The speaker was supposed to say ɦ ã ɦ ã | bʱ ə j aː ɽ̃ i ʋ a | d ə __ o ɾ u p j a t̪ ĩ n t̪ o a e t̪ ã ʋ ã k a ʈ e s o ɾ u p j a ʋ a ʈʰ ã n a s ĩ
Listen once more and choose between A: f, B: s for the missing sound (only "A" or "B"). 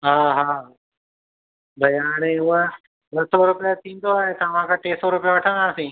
B